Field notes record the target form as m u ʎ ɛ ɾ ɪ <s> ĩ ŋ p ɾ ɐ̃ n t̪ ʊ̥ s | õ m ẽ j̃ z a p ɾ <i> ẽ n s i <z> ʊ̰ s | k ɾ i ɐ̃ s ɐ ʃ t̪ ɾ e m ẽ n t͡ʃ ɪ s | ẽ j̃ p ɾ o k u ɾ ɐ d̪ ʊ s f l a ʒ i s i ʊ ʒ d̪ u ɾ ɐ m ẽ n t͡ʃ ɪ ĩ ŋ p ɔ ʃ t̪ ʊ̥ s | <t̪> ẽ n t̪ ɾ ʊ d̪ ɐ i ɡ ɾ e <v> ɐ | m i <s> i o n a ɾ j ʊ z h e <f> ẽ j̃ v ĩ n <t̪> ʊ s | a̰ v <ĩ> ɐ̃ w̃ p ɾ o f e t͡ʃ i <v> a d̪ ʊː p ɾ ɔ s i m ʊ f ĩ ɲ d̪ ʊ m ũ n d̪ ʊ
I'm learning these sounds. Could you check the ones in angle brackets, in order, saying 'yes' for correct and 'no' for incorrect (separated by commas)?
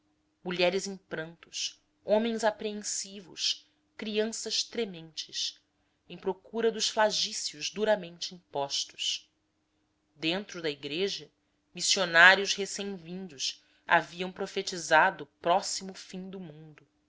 no, no, no, no, no, yes, no, no, no, no